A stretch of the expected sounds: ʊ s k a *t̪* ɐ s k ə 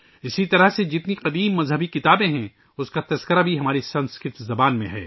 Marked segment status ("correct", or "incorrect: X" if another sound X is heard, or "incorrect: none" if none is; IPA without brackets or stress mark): correct